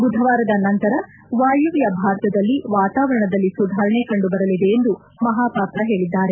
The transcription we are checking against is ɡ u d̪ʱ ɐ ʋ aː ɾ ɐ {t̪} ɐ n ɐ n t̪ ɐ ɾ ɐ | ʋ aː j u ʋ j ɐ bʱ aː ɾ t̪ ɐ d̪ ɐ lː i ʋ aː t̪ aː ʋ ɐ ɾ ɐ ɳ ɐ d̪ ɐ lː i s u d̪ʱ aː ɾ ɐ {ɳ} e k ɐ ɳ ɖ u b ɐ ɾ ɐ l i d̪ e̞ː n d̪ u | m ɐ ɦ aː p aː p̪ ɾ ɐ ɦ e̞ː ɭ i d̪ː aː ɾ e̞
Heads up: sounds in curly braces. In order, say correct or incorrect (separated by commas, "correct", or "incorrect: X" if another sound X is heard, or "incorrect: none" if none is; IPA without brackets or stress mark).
incorrect: d̪, correct